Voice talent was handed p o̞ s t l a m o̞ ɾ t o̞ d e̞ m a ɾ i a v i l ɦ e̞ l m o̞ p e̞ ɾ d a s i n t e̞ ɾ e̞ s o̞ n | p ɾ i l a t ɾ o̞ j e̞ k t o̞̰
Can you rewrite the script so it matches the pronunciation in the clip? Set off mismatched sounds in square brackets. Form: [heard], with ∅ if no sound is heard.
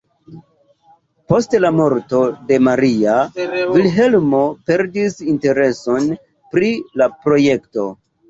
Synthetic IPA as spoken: p o̞ s t l a m o̞ ɾ t o̞ d e̞ m a ɾ i a v i l ɦ e̞ l m o̞ p e̞ ɾ d [i] s i n t e̞ ɾ e̞ s o̞ n | p ɾ i l a [p] ɾ o̞ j e̞ k t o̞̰